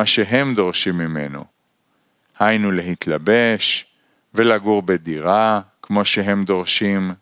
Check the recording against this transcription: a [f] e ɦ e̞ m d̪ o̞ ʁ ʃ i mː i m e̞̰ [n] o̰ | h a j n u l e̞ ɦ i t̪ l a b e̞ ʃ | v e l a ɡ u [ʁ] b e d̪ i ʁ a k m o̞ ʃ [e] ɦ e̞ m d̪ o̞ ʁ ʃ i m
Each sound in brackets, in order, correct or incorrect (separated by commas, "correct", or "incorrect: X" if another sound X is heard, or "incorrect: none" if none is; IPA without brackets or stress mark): incorrect: ʃ, correct, correct, correct